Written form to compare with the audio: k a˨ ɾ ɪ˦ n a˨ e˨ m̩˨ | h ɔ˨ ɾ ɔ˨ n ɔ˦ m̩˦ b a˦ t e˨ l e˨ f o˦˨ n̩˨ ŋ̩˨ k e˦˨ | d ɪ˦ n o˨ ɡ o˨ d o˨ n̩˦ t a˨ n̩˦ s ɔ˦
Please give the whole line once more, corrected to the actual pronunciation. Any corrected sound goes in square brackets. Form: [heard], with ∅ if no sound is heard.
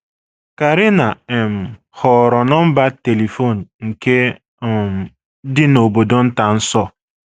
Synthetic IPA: k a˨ ɾ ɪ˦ n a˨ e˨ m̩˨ | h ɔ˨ ɾ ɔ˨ n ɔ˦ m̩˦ b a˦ t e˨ l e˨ f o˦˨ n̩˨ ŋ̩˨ k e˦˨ | d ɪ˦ n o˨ [b] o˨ d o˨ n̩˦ t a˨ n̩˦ s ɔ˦